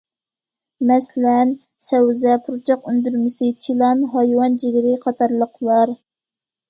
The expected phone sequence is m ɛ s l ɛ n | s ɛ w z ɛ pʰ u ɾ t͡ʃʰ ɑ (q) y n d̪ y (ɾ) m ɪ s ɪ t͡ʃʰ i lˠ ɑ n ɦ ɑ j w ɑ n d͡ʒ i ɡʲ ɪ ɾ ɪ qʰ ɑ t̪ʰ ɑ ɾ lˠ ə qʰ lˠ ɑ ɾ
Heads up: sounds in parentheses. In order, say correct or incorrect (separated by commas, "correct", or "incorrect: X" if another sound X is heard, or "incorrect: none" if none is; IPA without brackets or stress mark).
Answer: correct, correct